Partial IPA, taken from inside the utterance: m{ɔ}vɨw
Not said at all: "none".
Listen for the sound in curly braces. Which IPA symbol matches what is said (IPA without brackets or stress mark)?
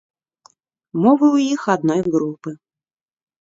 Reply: ɔ